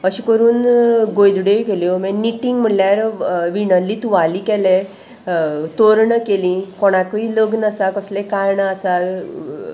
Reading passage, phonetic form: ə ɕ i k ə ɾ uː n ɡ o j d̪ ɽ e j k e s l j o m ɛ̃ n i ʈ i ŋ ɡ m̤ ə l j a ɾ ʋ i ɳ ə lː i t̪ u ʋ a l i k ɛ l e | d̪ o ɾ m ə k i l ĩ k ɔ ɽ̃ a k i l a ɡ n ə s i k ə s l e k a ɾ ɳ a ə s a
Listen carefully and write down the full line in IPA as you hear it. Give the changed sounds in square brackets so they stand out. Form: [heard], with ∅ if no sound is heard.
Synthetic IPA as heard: ə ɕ i k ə ɾ uː n ɡ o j d̪ ɽ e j k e [∅] l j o m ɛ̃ n i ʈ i ŋ ɡ m̤ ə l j a ɾ ʋ i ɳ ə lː i t̪ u ʋ a l i k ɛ l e | [t̪] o ɾ [ɳ] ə k [e] l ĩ k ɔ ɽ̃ a k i l [ə] ɡ n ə s [a] k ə s l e k a ɾ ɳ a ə s a